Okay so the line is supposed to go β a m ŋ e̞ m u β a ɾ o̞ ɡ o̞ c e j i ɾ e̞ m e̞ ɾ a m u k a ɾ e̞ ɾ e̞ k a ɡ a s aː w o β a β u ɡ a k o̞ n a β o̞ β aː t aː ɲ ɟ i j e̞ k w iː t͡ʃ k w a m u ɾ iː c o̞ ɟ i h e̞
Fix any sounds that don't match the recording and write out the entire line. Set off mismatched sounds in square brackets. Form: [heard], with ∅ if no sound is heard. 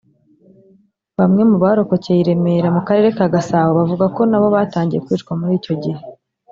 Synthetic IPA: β a m ŋ e̞ m u β a ɾ o̞ [k] o̞ c e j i ɾ e̞ m e̞ ɾ a m u k a ɾ e̞ ɾ e̞ k a ɡ a s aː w o β a [v] u ɡ a k o̞ n a β o̞ β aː t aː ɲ ɟ i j e̞ k w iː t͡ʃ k w a m u ɾ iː c o̞ ɟ i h e̞